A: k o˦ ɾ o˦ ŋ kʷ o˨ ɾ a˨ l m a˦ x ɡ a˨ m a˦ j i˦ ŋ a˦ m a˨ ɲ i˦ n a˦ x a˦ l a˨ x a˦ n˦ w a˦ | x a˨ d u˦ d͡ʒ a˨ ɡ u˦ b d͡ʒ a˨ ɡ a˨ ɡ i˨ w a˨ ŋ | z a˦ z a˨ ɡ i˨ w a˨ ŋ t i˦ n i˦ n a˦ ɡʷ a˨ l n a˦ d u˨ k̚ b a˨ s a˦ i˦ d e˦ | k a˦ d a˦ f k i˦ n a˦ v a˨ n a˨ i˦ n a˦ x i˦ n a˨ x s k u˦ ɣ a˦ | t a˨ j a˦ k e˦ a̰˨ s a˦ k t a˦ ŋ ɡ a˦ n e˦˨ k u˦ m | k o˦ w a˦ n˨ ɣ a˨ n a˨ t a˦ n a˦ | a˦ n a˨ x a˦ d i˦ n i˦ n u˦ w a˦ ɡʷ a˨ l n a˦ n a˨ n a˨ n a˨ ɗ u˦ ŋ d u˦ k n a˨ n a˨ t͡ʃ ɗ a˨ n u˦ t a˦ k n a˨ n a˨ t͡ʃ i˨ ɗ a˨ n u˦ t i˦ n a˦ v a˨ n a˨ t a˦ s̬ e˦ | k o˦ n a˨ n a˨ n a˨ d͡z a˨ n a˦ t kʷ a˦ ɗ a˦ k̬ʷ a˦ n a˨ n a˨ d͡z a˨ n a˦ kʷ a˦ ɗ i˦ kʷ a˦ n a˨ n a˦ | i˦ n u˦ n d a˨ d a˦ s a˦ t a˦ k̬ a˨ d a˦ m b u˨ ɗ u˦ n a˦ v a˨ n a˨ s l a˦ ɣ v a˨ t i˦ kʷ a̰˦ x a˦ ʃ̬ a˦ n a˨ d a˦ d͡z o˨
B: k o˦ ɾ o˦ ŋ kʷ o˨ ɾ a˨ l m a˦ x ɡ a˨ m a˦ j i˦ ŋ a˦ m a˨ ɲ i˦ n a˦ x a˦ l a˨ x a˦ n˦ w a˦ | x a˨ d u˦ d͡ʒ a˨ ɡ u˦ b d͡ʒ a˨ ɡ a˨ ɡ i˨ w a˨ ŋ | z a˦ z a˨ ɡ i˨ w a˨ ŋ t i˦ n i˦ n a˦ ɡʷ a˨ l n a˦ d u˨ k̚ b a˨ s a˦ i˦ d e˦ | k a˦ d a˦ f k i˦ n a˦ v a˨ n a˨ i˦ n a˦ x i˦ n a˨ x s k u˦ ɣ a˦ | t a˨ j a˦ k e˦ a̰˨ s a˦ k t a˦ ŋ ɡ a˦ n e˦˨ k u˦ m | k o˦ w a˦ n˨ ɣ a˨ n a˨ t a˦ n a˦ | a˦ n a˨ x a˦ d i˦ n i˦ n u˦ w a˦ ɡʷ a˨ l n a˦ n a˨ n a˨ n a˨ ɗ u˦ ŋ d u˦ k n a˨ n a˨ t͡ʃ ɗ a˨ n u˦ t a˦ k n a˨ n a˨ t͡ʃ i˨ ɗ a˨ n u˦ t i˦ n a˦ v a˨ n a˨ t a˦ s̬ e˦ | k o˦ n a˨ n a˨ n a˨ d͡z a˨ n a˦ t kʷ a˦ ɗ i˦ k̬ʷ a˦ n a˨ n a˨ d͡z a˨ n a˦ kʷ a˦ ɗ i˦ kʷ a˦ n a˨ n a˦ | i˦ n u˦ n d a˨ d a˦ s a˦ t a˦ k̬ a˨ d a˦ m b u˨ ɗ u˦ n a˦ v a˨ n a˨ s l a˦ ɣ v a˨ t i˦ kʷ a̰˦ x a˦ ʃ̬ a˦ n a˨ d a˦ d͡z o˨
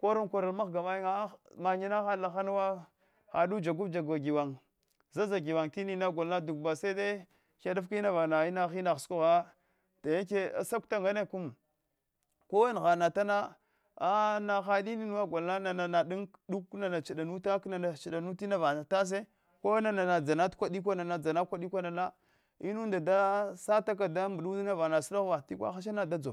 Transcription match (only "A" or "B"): B